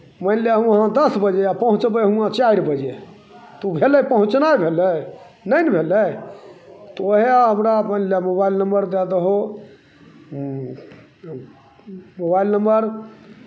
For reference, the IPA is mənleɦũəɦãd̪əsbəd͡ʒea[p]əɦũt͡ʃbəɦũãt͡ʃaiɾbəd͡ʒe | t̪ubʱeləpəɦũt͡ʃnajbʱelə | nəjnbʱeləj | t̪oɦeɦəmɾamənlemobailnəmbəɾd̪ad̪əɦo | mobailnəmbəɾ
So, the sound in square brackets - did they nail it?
yes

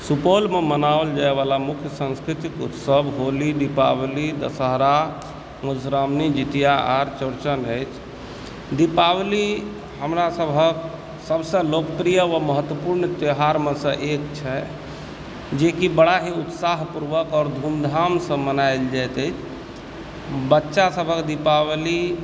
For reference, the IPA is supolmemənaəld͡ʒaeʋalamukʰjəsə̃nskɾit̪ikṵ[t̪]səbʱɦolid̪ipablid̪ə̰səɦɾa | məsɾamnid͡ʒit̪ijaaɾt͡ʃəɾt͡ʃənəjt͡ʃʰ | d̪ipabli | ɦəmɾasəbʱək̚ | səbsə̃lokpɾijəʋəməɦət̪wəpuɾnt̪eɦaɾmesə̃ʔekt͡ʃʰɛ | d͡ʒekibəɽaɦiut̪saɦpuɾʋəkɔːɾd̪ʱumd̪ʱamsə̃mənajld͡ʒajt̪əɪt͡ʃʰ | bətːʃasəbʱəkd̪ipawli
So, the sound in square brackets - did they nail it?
yes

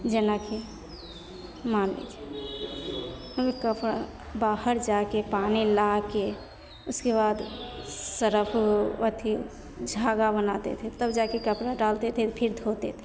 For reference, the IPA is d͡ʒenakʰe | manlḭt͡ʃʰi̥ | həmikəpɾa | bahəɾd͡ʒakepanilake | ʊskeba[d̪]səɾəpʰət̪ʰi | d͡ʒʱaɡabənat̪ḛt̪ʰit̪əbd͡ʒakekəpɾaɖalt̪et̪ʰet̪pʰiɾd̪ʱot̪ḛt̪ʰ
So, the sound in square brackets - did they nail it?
yes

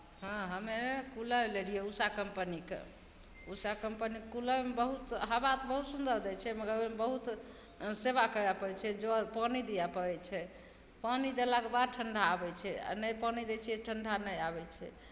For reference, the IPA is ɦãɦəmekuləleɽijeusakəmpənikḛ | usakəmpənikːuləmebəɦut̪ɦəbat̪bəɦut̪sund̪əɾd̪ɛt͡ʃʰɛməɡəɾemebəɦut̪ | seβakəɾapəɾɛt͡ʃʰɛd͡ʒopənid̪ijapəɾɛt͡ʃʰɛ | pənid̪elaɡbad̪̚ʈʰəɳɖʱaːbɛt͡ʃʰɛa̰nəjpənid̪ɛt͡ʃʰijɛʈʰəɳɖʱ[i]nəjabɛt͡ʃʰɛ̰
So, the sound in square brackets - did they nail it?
no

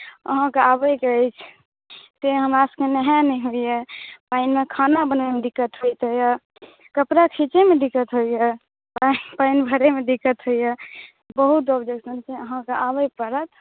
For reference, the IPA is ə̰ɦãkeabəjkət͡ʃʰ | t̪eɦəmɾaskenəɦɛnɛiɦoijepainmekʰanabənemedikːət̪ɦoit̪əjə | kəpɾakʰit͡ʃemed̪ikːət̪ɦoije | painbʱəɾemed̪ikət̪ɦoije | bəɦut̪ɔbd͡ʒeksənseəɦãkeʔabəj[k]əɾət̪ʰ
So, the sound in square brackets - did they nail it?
no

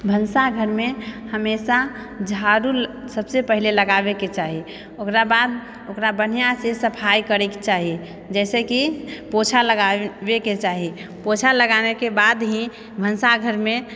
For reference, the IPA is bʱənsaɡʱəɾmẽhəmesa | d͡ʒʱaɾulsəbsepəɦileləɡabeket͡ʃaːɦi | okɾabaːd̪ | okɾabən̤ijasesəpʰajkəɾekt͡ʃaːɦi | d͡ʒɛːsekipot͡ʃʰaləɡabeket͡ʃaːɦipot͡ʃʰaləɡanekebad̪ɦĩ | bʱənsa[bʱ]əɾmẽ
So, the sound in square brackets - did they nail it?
no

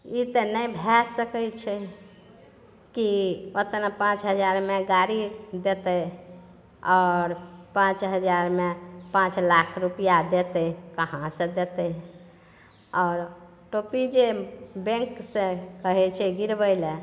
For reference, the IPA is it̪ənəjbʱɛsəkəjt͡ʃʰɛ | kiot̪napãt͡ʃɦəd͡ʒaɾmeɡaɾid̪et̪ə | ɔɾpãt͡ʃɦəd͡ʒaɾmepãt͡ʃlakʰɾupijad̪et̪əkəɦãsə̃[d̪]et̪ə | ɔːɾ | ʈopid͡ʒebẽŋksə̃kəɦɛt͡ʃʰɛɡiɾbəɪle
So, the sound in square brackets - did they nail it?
yes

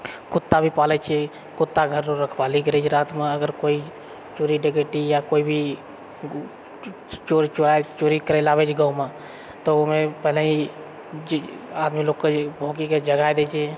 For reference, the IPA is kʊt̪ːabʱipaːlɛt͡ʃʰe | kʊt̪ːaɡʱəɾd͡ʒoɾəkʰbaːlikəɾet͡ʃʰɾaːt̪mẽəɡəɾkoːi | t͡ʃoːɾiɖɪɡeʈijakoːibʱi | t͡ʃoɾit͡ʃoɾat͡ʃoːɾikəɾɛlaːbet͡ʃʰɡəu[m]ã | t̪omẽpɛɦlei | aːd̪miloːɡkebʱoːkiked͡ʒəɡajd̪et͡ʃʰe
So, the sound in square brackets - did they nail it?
yes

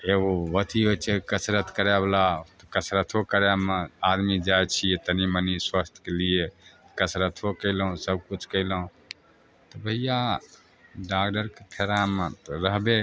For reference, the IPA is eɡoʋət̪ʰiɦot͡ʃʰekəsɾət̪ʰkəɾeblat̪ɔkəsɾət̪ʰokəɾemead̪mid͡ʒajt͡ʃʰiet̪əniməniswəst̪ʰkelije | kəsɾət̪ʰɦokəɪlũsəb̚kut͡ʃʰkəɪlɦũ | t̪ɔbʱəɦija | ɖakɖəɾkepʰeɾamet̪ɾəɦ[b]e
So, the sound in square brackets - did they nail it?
yes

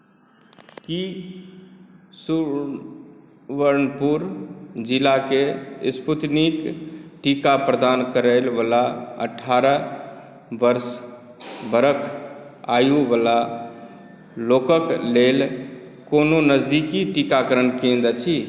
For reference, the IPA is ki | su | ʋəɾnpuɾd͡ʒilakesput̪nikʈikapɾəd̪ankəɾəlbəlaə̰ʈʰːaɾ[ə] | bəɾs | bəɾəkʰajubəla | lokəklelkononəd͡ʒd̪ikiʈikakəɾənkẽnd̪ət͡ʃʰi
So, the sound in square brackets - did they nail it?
yes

